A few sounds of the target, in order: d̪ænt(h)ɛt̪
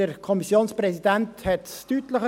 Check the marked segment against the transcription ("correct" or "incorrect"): correct